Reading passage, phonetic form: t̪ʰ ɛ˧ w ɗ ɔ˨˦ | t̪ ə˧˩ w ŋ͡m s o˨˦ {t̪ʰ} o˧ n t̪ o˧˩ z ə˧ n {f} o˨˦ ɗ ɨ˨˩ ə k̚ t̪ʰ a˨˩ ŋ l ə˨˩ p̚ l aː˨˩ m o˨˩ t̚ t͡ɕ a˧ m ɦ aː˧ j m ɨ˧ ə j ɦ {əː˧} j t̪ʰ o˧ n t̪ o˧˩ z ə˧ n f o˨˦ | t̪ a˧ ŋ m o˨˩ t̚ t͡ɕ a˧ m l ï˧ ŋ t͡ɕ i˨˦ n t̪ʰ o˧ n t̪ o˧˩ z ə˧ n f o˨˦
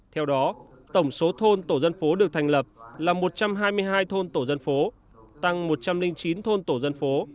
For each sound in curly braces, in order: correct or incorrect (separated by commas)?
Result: correct, correct, incorrect